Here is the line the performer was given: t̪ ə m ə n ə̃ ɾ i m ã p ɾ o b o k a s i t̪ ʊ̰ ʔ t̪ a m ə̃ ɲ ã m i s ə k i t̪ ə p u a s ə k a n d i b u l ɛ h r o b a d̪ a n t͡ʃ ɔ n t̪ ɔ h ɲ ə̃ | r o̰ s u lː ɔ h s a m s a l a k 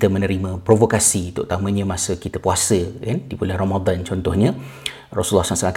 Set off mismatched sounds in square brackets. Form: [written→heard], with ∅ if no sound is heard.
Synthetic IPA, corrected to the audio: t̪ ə m ə n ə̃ ɾ i m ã p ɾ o [b→v] o k a s i t̪ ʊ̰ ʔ t̪ a m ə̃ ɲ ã m [i→a] s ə k i t̪ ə p u a s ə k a n d i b u l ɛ h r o [b→m] a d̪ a n t͡ʃ ɔ n t̪ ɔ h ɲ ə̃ | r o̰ s u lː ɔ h s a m s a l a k